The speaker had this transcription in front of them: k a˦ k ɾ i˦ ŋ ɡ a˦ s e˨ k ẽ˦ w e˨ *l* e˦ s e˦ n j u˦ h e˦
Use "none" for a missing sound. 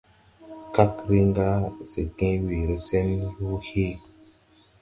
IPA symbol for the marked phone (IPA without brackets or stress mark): ɾ